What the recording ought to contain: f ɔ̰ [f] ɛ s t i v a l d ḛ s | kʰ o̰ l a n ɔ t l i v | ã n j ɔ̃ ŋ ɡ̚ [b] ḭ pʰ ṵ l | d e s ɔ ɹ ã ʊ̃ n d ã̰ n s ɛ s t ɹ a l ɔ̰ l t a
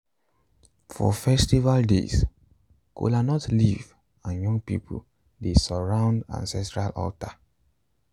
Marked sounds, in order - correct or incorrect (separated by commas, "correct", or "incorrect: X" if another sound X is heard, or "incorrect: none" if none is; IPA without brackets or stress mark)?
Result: correct, incorrect: p